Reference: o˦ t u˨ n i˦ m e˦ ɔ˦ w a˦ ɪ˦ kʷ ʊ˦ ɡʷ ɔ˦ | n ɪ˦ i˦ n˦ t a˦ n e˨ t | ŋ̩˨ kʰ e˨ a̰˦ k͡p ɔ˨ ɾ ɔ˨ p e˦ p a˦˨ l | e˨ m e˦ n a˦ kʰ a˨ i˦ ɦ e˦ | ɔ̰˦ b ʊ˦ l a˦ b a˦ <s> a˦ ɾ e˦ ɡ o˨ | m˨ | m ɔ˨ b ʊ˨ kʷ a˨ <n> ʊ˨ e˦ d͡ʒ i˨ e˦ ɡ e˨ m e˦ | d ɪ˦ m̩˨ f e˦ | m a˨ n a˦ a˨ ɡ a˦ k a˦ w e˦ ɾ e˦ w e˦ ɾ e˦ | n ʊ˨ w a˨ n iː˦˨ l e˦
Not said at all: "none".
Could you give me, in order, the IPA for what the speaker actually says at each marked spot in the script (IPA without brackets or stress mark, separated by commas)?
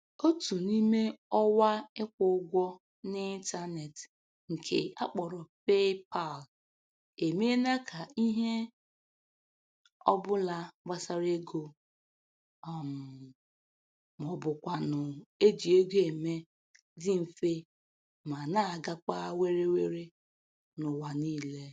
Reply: s, n